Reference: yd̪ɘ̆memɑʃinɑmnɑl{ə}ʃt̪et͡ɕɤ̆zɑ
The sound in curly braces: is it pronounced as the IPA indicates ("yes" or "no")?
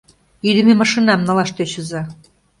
no